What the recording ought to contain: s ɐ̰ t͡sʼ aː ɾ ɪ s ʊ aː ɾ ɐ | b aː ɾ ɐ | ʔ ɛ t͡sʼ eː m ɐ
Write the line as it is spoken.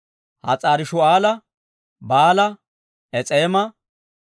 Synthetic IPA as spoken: h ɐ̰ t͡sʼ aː ɾ ɪ ʃ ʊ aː l ɐ | b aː l ɐ | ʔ ɛ t͡sʼ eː m ɐ